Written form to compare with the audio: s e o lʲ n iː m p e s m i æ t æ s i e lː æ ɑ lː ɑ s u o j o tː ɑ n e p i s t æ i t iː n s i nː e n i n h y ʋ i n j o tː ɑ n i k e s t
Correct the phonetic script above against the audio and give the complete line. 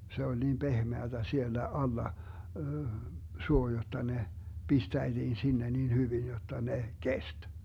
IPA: s e o lʲ n iː m p e h m e æ t æ s i e lː æ ɑ lː ɑ s u o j o tː ɑ n e p i s t æ i t iː n s i nː e n i n h y ʋ i n j o tː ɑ n e k e s t